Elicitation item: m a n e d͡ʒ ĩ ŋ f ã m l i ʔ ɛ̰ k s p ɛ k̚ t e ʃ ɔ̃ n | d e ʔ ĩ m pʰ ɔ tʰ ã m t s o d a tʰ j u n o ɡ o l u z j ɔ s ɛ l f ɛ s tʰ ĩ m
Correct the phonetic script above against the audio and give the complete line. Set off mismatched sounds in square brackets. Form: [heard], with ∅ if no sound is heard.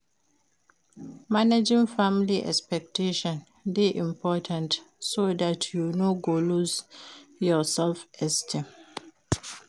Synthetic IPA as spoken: m a n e d͡ʒ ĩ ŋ f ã m l i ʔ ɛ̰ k s p ɛ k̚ t e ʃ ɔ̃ n | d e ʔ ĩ m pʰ ɔ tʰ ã [n] t s o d a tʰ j u n o ɡ o l u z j ɔ s ɛ l f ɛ s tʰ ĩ m